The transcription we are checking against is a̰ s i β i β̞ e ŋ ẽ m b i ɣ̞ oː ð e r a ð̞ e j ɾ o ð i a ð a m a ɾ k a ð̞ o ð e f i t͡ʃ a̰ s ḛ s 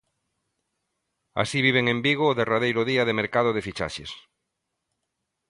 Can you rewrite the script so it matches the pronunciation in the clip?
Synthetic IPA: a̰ s i β i β̞ e ŋ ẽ m b i ɣ̞ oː ð e r a ð̞ e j ɾ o ð i a ð e m e ɾ k a ð̞ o ð e f i t͡ʃ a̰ ʃ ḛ s